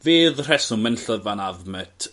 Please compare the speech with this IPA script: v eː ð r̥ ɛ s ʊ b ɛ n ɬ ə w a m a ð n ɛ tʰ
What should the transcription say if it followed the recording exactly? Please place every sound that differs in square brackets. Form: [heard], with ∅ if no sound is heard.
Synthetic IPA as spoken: v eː ð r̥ ɛ s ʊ [m] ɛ n ɬ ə [v] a [n] a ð [m] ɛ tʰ